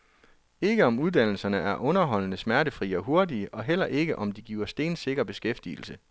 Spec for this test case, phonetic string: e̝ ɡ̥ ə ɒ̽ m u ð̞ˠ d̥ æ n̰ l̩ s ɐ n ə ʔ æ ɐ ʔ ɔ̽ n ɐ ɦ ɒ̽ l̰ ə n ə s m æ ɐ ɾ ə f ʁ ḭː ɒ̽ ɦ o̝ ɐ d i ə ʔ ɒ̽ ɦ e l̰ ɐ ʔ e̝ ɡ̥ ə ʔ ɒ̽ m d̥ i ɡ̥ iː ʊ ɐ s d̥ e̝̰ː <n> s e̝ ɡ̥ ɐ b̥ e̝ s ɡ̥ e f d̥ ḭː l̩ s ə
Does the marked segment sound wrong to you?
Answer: no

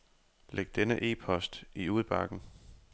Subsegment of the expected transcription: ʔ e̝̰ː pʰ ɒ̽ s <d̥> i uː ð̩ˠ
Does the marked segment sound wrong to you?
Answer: no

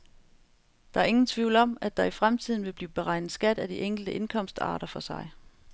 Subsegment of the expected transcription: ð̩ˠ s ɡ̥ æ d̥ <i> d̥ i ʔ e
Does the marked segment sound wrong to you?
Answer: yes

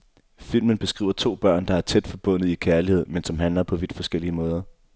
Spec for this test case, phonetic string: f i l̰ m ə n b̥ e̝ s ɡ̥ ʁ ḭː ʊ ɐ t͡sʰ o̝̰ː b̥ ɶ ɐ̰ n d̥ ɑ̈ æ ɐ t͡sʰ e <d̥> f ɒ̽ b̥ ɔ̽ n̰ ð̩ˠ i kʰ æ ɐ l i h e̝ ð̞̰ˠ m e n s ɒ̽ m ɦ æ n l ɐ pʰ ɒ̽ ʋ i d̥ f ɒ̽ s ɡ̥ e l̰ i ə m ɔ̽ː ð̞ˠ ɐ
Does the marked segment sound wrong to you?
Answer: no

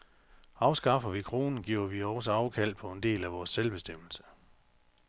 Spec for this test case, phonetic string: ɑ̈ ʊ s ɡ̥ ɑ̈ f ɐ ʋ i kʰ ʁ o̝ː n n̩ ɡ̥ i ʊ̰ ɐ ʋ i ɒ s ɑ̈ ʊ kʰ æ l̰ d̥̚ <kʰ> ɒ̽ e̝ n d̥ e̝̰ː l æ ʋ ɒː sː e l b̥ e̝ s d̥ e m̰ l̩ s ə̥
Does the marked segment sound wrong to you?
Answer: yes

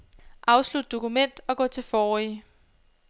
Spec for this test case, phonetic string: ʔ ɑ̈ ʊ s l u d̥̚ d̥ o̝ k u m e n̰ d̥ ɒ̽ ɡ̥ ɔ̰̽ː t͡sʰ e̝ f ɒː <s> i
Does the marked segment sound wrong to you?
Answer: yes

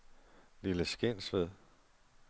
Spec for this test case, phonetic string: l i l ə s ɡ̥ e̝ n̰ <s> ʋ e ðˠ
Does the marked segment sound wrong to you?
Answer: no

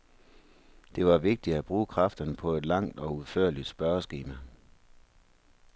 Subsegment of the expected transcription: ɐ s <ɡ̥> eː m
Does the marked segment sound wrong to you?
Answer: no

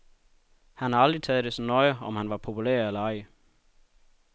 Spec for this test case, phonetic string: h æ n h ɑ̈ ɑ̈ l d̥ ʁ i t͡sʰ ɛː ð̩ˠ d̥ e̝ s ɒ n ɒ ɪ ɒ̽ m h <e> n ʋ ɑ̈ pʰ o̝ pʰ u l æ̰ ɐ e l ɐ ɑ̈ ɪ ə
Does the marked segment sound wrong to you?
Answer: yes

